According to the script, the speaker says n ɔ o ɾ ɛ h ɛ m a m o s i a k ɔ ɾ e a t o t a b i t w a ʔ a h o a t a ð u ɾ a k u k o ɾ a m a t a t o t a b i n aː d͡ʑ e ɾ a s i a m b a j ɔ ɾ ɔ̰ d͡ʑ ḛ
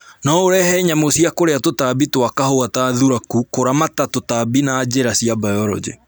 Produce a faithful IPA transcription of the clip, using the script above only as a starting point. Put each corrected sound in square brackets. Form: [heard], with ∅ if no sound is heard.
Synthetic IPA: n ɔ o ɾ ɛ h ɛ [ɲ] a m o s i a k [o] ɾ e a t o t a b i t w a [k] a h o a t a ð u ɾ a k u k o ɾ a m a t a t o t a b i n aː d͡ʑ e ɾ a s i a [∅] b a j ɔ ɾ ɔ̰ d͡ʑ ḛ